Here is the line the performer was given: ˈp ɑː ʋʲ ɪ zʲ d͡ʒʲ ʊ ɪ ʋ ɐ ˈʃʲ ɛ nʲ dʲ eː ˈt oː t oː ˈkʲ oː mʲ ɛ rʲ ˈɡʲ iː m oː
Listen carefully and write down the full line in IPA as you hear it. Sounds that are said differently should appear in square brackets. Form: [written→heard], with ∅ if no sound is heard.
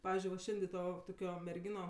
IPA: ˈp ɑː ʋʲ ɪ zʲ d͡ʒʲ ʊ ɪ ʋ ɐ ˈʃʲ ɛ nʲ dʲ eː ˈt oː t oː ˈkʲ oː mʲ ɛ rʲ ˈɡʲ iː [m→n] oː